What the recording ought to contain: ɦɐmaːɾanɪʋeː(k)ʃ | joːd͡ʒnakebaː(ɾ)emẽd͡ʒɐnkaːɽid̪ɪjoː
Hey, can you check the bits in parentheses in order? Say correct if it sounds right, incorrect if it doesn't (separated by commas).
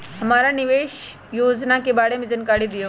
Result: incorrect, incorrect